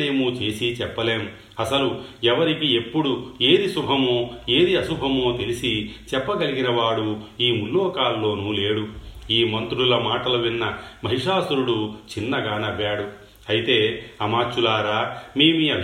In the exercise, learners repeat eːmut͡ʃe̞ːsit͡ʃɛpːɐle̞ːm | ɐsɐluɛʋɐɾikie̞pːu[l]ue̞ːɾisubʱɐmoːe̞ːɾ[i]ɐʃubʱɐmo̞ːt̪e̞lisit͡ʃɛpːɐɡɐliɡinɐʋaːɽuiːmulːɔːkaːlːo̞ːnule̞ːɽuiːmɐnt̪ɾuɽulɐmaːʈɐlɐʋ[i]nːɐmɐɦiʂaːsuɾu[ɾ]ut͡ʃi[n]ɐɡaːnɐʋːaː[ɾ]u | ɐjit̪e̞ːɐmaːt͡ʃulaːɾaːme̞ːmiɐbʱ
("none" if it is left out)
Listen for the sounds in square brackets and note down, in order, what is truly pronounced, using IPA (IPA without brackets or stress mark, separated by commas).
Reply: ɽ, i, i, ɽ, nː, ɽ